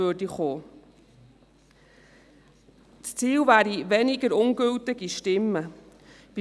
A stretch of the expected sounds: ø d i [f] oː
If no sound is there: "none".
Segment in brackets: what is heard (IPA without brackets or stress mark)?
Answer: χ